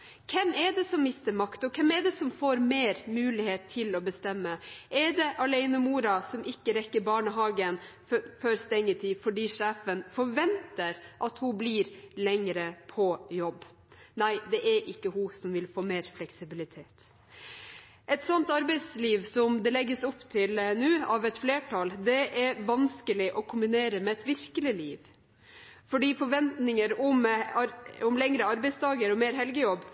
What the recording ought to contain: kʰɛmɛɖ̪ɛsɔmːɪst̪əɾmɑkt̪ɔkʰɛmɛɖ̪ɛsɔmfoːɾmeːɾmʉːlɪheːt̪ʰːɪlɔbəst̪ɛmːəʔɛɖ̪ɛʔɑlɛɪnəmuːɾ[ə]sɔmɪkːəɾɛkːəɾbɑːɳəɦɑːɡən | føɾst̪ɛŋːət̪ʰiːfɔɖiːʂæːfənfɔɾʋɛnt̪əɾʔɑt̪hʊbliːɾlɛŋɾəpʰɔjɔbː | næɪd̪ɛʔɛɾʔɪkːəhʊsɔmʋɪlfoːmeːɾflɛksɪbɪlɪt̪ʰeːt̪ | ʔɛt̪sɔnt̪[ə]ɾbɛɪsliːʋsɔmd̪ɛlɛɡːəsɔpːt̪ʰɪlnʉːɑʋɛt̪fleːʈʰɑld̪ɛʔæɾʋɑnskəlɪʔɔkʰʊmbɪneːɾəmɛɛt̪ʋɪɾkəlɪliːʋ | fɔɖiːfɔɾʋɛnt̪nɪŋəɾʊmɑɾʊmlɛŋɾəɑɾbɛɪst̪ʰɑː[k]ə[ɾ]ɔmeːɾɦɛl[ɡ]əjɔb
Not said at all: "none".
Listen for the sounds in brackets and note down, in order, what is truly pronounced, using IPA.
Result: ɑ, ɑ, ɡ, ɾ, ɡ

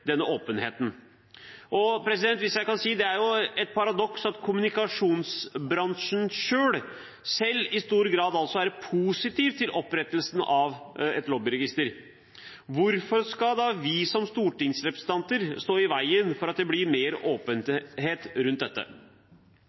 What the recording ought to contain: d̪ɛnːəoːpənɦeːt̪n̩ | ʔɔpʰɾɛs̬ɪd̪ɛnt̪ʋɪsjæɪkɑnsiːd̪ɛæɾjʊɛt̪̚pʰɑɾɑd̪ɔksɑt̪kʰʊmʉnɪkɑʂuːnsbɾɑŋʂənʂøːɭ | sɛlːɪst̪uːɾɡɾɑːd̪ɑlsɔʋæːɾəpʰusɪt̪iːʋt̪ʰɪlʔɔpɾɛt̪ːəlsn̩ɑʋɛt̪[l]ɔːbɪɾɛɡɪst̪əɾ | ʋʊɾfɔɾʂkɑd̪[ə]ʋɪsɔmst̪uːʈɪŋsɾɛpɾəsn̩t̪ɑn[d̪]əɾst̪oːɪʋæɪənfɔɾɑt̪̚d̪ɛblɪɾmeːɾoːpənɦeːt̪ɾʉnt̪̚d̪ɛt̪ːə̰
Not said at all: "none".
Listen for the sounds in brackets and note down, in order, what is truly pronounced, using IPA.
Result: l, ɑ, t̪

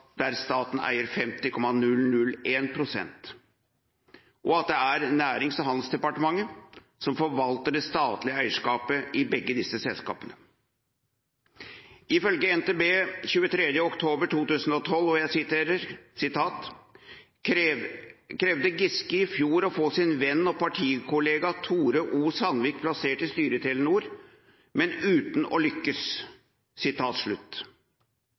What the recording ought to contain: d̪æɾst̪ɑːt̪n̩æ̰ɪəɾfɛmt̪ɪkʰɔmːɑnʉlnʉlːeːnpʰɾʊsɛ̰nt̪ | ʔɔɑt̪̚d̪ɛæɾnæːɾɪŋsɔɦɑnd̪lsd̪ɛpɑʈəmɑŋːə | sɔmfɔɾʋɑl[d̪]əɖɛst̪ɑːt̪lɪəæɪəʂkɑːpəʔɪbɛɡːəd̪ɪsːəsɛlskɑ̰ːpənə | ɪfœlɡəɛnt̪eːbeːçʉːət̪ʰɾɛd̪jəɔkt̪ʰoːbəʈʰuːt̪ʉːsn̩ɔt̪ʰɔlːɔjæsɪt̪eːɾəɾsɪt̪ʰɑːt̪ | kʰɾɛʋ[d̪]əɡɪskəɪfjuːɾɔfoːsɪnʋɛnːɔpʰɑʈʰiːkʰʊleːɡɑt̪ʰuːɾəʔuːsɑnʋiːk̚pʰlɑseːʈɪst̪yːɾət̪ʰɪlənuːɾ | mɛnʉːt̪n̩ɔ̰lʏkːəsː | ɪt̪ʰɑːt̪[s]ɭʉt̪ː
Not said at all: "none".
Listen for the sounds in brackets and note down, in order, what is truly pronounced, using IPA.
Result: t̪, d̪, ʂ

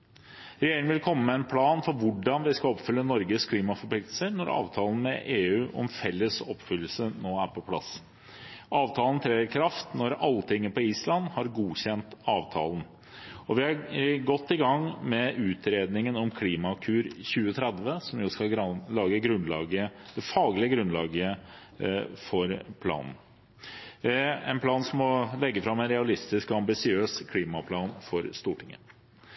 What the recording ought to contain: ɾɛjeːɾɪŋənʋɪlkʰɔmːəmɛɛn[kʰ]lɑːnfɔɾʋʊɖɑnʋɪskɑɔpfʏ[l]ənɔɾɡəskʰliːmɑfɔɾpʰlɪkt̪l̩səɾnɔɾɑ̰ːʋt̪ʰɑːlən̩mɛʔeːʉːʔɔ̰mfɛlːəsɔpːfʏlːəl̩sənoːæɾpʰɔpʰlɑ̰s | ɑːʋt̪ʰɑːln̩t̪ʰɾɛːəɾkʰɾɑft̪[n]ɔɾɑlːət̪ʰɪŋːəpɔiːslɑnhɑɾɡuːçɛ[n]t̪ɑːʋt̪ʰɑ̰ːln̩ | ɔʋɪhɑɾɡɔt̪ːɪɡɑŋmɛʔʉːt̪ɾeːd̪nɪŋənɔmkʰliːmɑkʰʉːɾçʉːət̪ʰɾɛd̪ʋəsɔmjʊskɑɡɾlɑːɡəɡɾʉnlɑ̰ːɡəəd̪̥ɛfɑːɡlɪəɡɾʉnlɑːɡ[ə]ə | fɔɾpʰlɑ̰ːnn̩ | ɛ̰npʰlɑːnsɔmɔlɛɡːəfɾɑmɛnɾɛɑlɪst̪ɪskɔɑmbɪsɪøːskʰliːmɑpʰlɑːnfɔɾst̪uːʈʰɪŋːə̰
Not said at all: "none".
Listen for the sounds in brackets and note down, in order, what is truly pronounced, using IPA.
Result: pʰ, lː, n, n, ə

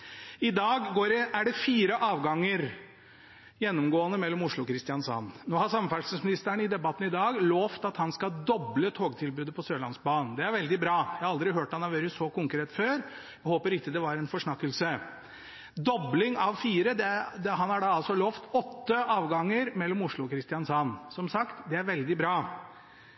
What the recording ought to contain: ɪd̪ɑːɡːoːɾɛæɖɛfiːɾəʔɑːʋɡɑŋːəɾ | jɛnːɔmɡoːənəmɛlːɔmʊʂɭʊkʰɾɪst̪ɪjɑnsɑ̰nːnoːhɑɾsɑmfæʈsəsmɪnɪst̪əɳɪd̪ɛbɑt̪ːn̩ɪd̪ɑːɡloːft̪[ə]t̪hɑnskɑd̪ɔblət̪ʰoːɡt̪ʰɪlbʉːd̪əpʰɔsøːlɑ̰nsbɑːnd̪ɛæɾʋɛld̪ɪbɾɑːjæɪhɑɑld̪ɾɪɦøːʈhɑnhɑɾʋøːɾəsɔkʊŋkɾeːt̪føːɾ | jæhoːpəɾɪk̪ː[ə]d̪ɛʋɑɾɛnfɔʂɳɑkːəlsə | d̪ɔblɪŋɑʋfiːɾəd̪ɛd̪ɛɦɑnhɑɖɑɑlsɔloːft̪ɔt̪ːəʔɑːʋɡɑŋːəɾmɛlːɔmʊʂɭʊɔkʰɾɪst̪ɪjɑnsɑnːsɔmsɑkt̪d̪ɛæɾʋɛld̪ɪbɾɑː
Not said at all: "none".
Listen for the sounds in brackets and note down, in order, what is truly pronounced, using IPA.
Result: ɑ, ə

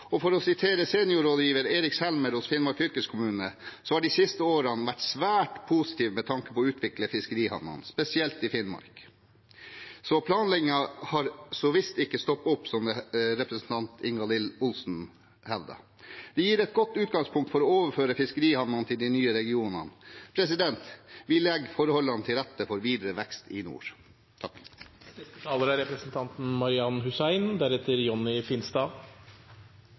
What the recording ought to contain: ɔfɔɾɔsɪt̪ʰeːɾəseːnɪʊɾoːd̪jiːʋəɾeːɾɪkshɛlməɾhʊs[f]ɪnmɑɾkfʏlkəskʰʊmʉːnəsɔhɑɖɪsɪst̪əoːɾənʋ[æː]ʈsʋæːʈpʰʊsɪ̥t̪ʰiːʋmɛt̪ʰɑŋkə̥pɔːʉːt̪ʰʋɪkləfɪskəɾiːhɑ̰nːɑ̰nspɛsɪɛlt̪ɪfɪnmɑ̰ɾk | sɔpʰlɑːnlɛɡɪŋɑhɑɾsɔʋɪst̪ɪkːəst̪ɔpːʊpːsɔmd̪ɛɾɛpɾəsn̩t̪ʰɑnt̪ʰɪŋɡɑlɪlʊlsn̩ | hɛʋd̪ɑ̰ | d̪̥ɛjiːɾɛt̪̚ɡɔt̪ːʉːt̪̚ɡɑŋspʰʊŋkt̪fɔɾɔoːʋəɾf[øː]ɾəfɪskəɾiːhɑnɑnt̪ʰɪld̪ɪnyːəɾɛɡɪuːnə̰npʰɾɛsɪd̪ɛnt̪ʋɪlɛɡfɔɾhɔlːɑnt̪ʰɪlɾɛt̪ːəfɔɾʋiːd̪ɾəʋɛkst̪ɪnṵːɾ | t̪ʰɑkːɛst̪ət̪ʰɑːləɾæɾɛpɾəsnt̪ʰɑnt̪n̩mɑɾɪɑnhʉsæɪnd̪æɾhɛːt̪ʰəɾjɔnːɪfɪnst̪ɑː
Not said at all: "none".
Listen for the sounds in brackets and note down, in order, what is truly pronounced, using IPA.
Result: f, æ, øː

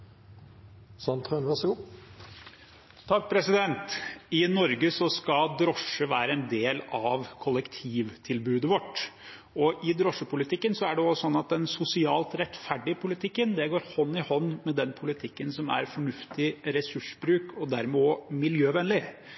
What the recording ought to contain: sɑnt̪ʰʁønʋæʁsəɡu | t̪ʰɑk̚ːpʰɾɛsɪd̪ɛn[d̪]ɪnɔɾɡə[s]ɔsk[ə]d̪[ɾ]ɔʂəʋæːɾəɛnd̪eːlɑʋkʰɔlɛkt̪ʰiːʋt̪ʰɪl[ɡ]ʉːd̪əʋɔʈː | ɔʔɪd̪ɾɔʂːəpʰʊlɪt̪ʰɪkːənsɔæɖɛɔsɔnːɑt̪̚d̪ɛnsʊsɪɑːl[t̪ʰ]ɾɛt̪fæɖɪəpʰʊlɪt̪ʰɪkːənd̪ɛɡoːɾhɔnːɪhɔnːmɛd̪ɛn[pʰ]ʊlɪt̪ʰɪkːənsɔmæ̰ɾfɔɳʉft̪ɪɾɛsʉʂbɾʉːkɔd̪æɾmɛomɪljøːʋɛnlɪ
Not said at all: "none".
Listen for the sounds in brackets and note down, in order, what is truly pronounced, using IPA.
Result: t̪, s, ɑ, ɾ, b, t̪, pʰ

